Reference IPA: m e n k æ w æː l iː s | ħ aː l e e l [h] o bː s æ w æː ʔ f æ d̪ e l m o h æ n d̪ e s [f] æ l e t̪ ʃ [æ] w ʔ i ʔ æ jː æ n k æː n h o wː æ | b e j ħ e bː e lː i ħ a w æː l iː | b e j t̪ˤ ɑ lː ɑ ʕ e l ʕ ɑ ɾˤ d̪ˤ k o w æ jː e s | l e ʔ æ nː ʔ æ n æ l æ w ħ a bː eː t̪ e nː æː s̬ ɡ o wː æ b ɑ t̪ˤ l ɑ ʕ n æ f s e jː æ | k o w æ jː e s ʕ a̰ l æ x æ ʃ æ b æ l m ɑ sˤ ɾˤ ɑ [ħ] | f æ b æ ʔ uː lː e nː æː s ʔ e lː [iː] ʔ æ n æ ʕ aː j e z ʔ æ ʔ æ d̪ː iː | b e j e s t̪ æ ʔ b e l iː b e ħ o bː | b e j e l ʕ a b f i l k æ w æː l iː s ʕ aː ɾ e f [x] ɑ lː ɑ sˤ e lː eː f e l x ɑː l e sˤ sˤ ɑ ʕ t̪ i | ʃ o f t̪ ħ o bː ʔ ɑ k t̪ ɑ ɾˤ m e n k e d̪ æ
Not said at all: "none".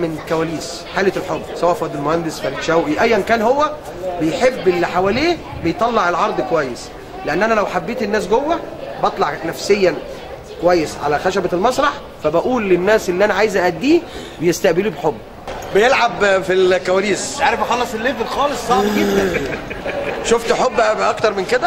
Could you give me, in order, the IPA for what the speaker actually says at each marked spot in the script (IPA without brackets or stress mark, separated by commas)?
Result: ħ, f, æ, ħ, i, x